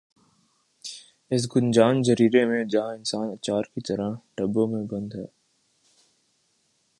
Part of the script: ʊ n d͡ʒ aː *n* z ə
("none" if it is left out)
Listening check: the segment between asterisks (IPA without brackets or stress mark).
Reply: n